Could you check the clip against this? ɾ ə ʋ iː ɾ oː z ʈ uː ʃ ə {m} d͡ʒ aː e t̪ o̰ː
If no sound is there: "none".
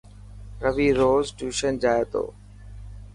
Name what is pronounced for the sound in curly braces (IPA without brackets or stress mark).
n